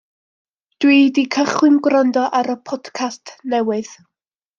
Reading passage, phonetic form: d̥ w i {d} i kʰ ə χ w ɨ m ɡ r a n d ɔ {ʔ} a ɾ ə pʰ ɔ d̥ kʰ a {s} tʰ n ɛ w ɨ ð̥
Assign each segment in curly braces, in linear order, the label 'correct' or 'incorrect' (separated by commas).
correct, correct, correct